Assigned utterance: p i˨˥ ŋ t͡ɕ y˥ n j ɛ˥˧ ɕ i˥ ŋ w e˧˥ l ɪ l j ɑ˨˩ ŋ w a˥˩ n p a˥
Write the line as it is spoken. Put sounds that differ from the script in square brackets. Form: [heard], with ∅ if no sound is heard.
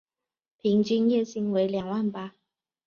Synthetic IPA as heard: [pʰ] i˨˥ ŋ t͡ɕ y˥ n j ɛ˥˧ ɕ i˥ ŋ w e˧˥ [∅] ɪ l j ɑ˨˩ ŋ w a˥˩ n p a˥